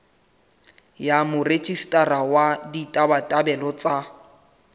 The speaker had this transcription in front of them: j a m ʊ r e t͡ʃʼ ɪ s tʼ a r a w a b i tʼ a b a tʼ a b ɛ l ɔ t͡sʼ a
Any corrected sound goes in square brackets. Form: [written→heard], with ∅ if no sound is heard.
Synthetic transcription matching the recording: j a m ʊ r e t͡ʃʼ [ɪ→i] s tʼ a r a w a [b→d] i tʼ a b a tʼ a b ɛ l ɔ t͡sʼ a